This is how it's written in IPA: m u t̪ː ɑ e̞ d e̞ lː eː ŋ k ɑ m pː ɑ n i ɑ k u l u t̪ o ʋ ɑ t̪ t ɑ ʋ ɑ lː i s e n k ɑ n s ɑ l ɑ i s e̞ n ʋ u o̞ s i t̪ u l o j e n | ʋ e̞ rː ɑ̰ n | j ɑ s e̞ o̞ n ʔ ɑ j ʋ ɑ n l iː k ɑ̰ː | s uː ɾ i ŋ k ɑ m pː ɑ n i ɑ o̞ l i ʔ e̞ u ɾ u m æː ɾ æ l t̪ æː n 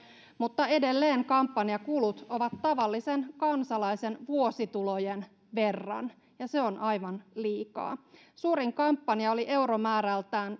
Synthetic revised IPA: m u t̪ː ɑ e̞ d e̞ lː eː ŋ k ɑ m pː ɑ n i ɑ k u l u t̪ o ʋ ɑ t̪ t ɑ ʋ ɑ lː i s e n k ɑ n s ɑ l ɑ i s e̞ n ʋ u o̞ s i t̪ u l o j e n | ʋ e̞ rː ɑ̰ n | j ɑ s e̞ o̞ n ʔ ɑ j ʋ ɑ n l iː k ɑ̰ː | s uː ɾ i ŋ k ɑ m pː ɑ n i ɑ o̞ l i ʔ e̞ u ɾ o m æː ɾ æ l t̪ æː n